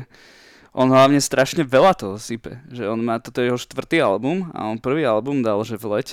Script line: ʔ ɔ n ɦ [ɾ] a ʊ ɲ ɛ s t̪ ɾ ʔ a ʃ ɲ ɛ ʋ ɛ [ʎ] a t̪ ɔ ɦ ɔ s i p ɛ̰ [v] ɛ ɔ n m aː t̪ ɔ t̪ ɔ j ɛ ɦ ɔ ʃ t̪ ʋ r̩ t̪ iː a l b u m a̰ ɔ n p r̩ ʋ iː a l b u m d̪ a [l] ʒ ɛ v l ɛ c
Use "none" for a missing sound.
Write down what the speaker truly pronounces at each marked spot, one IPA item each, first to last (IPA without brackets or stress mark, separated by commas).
l, l, ʒ, l